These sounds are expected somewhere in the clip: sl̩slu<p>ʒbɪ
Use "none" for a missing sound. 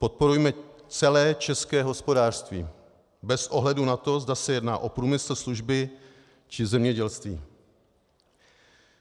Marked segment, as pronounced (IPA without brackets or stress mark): none